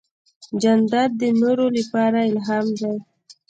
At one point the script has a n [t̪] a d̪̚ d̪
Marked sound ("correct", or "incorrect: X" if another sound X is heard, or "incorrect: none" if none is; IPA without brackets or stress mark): incorrect: d̪